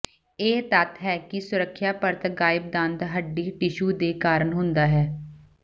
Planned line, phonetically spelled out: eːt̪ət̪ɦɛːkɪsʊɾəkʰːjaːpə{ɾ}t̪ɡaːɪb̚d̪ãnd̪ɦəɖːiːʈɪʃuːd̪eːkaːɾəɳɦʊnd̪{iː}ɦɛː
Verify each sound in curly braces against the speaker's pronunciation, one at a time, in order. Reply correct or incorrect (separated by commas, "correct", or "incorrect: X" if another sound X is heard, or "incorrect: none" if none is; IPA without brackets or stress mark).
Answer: correct, incorrect: aː